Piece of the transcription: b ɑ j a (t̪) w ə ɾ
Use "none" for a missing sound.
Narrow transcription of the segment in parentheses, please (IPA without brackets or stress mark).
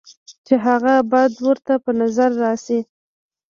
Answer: d̪